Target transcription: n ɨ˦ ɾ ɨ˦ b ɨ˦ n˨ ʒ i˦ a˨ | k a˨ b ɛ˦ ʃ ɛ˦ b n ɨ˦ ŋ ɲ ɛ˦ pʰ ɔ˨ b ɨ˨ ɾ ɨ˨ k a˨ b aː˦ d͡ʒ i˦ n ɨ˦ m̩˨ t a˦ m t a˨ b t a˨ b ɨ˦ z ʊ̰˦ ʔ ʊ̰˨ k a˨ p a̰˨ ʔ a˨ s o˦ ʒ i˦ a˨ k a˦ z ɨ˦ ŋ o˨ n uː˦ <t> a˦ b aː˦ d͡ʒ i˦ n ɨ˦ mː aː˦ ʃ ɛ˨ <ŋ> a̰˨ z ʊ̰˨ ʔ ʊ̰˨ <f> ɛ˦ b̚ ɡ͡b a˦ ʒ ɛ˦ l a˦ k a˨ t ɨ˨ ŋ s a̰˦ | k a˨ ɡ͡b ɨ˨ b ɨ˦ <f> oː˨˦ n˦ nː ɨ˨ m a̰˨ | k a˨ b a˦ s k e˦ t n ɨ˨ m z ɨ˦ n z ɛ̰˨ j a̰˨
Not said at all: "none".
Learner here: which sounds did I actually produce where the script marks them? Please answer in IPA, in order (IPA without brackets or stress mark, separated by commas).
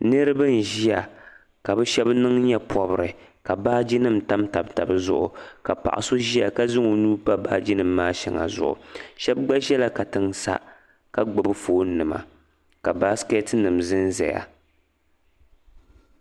p, ŋ, ʃ, f